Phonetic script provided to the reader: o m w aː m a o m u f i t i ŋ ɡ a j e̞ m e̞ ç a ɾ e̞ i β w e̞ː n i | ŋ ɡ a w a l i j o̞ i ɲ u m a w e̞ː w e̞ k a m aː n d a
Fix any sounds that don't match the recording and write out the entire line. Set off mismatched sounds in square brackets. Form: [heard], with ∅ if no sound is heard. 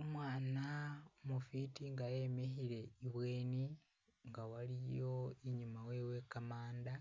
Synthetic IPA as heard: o m w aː [n] a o m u f i t i ŋ ɡ a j e̞ m e̞ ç [i] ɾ e̞ i β w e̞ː n i | ŋ ɡ a w a l i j o̞ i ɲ u m a w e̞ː w e̞ k a m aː n d a